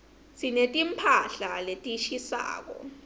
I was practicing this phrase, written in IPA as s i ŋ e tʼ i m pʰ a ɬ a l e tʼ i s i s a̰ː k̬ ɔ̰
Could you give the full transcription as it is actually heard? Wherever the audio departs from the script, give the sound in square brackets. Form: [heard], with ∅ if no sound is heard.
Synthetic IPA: s i [n] e tʼ i m pʰ a ɬ a l e tʼ i [ʃ] i s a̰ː k̬ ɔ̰

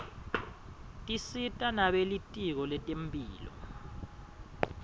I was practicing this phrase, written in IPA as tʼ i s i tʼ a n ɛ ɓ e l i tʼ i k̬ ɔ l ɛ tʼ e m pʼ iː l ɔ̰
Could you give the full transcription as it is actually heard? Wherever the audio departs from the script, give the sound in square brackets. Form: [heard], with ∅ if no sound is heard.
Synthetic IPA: tʼ i s i tʼ a n [a] ɓ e l i tʼ i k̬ ɔ l ɛ tʼ e m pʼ iː l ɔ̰

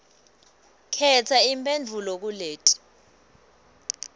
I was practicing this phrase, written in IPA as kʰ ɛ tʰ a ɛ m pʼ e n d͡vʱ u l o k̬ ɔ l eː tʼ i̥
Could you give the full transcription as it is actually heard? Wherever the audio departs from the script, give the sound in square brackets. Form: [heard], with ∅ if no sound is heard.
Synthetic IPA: kʰ ɛ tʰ a [i] m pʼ e n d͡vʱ u l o k̬ [u] l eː tʼ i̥

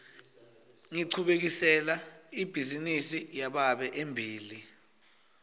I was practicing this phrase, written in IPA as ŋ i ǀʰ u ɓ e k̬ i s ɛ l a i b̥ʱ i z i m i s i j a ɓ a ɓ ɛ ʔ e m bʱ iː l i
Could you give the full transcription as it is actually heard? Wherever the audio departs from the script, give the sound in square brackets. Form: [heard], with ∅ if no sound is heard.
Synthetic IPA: ŋ i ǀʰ u ɓ e k̬ i s ɛ l a i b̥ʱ i z i [n] i s i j a ɓ a ɓ ɛ ʔ e m bʱ iː l i

